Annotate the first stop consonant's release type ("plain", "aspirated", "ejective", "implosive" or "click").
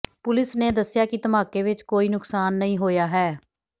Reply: plain